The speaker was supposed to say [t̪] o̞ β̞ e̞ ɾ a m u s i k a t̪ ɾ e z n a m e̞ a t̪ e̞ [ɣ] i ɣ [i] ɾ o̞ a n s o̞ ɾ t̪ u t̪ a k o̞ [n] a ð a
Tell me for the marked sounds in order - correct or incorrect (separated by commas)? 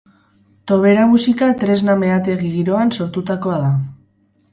correct, correct, correct, incorrect